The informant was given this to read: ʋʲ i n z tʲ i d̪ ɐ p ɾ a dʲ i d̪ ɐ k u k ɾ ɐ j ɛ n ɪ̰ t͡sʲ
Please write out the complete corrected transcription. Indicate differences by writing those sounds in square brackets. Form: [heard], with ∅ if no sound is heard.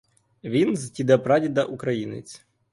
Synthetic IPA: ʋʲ i n z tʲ i d̪ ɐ p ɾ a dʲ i d̪ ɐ [ʔ] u k ɾ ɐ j [i] n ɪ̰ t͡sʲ